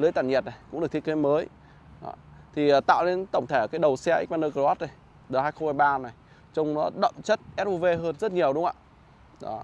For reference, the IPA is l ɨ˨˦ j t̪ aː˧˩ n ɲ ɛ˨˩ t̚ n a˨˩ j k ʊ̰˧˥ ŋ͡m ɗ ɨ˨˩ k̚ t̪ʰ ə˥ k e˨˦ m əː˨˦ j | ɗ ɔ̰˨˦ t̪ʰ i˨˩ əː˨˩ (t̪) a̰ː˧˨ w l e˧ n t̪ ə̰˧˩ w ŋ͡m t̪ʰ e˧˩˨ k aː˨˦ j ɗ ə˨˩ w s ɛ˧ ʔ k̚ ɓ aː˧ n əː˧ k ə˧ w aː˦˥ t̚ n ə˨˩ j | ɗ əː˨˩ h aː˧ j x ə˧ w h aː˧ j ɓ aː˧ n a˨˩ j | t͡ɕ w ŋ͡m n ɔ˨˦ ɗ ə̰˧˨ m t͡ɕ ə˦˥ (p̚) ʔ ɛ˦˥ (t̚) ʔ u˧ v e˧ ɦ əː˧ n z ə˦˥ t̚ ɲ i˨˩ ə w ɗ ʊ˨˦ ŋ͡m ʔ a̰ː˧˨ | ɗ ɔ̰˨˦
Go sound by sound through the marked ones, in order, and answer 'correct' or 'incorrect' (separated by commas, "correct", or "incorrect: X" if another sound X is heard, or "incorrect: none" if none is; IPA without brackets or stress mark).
correct, incorrect: t̚, correct